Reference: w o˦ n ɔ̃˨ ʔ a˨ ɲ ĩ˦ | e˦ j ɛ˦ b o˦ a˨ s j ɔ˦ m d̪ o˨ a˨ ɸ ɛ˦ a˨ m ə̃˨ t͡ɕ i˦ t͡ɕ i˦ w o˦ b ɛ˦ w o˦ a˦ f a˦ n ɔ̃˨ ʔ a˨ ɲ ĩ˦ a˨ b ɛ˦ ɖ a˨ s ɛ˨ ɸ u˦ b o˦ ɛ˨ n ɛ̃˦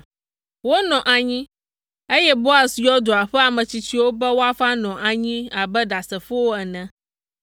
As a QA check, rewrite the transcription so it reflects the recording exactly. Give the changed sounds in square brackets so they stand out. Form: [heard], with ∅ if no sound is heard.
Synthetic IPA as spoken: w o˦ n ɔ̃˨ ʔ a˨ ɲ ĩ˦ | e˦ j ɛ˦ b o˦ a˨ s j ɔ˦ [∅] d̪ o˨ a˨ ɸ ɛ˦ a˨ m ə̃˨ t͡ɕ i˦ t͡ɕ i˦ w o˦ b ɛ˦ w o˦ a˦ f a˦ n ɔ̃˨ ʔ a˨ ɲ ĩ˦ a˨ b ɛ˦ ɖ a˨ s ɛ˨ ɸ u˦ [w] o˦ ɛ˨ n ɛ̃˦